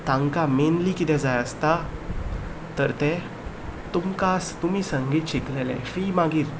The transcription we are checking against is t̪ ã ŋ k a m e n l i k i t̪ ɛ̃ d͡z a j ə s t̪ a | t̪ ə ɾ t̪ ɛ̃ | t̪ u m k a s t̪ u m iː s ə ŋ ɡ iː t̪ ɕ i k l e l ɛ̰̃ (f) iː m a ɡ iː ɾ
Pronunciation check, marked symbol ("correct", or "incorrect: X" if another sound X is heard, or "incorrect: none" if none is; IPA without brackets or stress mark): correct